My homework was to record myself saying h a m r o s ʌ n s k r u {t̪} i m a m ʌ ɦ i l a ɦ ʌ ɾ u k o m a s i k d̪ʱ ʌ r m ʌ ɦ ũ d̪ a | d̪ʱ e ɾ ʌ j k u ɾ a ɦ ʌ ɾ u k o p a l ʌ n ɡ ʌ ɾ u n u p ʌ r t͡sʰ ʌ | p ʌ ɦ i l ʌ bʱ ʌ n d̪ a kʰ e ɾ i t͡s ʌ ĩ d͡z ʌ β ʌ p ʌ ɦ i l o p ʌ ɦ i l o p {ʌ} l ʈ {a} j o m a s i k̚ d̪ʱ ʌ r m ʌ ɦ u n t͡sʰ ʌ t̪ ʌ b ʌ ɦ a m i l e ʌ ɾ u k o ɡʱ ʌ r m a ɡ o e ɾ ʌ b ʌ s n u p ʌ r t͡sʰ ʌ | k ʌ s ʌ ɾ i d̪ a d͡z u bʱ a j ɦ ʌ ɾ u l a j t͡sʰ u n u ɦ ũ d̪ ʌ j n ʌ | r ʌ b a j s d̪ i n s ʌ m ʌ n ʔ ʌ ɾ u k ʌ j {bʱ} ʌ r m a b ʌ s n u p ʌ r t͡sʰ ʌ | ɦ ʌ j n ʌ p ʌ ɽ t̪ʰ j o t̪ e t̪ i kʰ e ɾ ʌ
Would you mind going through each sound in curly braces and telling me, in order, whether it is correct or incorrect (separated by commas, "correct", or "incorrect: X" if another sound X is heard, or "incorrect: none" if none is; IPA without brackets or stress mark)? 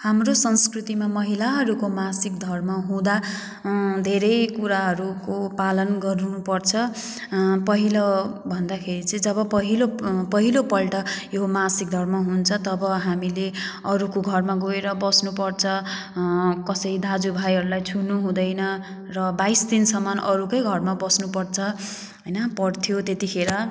correct, correct, incorrect: ʌ, incorrect: ɡʱ